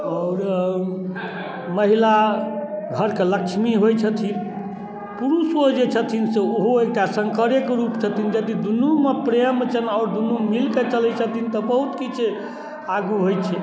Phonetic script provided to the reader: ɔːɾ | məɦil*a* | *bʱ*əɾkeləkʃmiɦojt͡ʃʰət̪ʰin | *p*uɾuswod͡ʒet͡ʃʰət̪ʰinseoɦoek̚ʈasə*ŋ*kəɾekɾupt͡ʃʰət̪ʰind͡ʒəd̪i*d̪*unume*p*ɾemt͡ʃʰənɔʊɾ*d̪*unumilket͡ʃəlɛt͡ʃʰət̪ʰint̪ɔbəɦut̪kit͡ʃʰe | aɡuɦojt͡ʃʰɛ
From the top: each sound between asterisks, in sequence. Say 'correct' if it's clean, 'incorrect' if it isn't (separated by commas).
correct, incorrect, correct, correct, correct, correct, correct